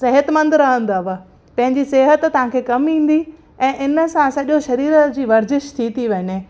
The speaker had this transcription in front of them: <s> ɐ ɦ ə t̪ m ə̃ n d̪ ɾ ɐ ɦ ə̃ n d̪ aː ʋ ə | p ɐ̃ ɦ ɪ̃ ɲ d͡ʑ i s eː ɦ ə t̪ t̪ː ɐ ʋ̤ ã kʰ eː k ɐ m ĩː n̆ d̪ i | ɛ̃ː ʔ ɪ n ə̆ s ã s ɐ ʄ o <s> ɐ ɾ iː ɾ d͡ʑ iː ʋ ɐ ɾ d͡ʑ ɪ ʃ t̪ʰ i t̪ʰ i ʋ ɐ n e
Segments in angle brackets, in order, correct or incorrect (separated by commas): correct, incorrect